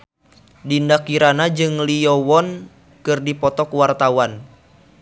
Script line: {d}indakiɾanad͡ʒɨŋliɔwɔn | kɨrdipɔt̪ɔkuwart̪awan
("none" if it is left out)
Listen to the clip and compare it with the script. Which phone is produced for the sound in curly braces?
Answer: d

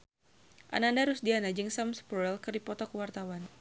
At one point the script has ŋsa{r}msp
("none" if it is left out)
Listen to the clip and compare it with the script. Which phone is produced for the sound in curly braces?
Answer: none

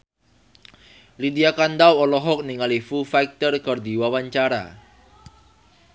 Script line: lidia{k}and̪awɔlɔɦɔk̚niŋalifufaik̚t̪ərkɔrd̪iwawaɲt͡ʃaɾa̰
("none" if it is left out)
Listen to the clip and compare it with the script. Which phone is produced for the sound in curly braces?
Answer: k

